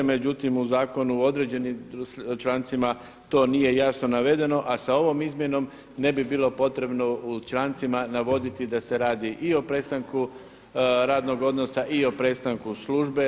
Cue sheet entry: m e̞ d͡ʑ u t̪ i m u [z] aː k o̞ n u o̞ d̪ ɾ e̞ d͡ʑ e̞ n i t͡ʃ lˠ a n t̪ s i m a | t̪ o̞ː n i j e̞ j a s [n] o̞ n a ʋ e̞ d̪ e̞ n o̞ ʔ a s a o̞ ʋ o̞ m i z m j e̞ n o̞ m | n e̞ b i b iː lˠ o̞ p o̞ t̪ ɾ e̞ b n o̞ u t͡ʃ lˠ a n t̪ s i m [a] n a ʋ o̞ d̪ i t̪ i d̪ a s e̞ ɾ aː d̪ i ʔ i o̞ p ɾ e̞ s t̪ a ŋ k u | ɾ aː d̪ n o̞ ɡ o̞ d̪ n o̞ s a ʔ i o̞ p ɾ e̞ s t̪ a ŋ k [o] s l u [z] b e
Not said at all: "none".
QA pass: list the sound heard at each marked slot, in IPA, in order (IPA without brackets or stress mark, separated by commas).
z, n, a, u, ʒ